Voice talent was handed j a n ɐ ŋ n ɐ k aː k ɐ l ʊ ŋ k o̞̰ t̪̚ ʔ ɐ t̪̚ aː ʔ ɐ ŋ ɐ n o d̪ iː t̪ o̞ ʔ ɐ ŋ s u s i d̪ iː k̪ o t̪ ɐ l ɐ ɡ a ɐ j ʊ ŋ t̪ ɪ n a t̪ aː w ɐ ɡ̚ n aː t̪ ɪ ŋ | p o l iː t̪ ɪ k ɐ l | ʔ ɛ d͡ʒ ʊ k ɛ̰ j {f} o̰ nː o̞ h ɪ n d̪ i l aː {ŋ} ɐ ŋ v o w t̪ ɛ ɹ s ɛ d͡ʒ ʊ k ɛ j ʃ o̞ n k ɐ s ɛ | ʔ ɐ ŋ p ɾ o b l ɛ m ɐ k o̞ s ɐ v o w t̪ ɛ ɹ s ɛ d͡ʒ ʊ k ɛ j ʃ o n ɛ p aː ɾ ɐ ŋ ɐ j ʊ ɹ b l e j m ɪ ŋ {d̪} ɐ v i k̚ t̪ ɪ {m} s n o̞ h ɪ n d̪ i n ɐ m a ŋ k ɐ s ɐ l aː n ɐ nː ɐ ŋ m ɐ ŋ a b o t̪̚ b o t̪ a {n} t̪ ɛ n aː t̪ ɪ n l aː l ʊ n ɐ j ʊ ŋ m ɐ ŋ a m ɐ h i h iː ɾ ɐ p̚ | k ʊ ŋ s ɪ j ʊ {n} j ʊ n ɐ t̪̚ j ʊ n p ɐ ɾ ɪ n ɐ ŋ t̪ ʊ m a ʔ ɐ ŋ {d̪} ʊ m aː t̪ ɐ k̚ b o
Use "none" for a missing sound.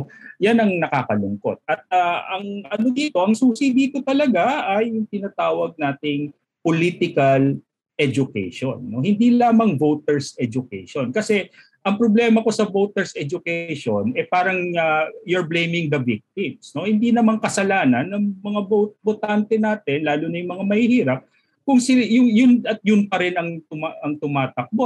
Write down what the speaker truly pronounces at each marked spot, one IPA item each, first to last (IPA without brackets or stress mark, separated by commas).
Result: ʃ, m, d̪, m, n, ŋ, t̪